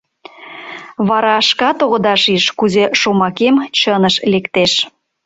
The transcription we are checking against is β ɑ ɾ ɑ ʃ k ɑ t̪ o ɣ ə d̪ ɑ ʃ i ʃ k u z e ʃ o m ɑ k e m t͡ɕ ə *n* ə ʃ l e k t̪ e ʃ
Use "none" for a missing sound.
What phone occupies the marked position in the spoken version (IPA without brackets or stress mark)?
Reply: n